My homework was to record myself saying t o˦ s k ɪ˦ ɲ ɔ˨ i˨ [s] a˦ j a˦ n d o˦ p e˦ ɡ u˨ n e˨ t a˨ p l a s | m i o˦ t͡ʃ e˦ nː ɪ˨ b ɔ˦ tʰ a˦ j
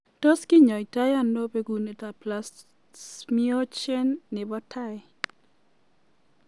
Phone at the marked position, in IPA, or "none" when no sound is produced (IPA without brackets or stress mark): t